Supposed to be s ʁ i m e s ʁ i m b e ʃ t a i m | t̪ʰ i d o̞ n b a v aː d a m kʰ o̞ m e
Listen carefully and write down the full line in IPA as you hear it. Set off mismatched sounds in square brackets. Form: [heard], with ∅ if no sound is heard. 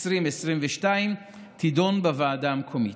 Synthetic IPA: s ʁ i m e s ʁ i m [v] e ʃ t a i m | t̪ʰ i d o̞ n b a v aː d a m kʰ o̞ m [i]